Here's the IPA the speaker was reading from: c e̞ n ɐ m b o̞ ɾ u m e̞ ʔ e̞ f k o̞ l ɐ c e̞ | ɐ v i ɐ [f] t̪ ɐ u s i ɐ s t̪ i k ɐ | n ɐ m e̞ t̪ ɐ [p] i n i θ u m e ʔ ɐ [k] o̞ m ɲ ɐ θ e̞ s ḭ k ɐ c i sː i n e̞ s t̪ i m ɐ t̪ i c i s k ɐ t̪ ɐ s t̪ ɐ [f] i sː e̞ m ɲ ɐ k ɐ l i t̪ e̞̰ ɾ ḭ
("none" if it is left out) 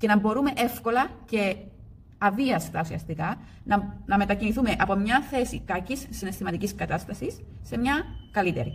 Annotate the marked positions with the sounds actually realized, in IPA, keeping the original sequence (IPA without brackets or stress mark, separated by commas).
s, c, p, s